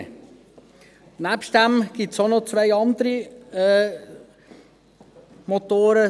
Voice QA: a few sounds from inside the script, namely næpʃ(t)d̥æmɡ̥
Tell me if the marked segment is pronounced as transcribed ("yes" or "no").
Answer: yes